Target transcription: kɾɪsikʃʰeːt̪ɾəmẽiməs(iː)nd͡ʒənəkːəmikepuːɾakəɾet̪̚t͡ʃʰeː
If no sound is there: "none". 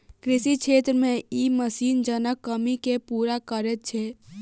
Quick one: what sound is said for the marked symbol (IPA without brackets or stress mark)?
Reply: iː